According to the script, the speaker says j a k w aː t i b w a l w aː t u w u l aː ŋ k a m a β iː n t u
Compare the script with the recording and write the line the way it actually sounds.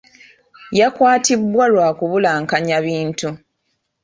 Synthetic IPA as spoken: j a k w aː t i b w a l w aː k u β u l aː ŋ k a ɲ a β iː n t u